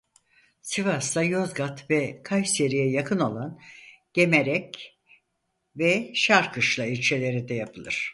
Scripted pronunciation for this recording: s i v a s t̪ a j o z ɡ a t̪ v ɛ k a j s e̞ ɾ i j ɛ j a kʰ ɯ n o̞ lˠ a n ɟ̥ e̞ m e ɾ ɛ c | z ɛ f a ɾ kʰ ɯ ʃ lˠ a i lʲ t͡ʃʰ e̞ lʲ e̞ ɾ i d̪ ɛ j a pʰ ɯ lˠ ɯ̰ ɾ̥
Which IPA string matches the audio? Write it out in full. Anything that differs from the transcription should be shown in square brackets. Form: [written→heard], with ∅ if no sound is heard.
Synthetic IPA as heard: s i v a s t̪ a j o z ɡ a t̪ v ɛ [k→kʰ] a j s e̞ ɾ i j ɛ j a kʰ ɯ n o̞ lˠ a n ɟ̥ e̞ m e ɾ ɛ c | [z→v] ɛ [f→ʃ] a ɾ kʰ ɯ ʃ lˠ a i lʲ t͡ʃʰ e̞ lʲ e̞ ɾ i d̪ ɛ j a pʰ ɯ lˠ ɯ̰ ɾ̥